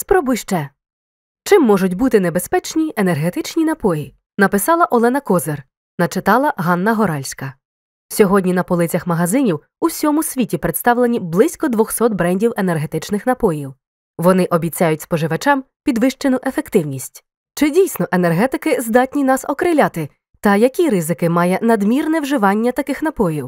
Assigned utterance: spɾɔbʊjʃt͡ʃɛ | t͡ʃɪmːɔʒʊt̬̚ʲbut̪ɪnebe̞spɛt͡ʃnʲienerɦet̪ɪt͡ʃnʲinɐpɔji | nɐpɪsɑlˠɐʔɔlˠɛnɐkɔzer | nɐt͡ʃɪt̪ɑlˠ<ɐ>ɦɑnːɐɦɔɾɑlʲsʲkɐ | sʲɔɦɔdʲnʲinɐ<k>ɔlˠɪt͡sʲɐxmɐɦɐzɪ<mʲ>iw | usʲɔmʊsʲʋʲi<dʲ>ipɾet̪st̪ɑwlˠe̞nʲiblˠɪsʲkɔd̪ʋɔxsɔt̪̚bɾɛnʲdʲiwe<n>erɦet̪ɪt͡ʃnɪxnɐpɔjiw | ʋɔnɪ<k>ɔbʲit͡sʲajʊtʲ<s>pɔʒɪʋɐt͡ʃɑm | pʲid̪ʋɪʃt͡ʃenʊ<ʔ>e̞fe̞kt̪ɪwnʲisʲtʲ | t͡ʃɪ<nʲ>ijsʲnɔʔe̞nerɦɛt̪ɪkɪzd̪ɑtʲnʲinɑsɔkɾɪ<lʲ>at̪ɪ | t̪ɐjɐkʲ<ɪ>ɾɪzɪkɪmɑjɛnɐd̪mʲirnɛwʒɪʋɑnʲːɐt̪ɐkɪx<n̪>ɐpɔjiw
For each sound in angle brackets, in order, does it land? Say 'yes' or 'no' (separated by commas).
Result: yes, no, no, no, yes, no, yes, yes, no, yes, no, yes